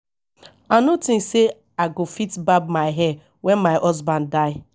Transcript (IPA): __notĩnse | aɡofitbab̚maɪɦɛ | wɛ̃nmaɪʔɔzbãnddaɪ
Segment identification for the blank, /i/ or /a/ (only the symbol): a